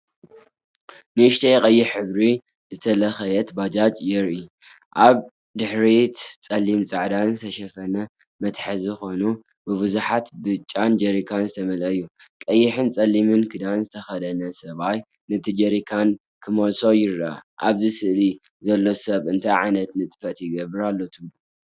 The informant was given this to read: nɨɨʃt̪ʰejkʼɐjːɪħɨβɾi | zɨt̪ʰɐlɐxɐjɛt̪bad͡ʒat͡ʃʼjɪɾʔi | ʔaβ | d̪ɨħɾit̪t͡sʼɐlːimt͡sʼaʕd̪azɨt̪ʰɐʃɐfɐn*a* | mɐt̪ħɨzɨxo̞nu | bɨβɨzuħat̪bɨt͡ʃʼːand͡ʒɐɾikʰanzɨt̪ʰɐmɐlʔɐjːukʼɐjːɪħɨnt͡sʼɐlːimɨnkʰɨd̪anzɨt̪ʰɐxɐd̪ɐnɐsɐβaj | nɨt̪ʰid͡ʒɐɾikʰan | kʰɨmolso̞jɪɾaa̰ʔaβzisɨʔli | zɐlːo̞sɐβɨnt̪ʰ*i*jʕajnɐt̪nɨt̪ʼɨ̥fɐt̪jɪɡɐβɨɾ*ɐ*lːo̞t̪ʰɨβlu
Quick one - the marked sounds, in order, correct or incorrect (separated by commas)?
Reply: incorrect, incorrect, incorrect